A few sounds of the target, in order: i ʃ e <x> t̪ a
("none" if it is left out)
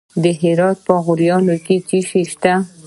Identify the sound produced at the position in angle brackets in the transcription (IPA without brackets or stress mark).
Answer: ʃ